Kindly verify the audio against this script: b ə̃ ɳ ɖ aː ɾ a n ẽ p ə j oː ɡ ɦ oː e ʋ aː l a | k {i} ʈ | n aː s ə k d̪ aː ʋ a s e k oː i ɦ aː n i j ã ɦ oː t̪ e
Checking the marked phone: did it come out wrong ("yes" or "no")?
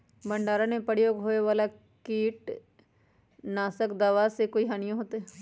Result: yes